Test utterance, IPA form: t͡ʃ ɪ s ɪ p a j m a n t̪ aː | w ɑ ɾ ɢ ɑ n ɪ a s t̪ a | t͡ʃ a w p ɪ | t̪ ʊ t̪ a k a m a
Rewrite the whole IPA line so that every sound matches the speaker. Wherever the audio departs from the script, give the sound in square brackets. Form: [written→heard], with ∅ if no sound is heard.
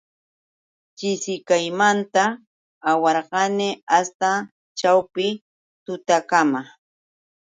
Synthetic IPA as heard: t͡ʃ ɪ s ɪ [p→k] a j m a n t̪ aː | w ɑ ɾ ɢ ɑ n ɪ a s t̪ a | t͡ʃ a w p ɪ | t̪ ʊ t̪ a k a m a